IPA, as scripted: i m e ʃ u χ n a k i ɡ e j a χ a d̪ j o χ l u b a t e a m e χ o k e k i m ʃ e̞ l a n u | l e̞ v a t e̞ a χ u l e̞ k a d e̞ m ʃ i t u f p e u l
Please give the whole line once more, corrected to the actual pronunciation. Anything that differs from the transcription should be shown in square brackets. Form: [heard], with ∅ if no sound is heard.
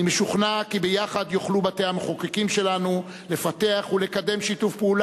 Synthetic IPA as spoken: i m e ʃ u χ n a k i [b] e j a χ a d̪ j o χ l u b a t e a m e χ o k e k i m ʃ e̞ l a n u | l e̞ [f] a t e̞ a χ u l e̞ k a d e̞ m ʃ i t u f p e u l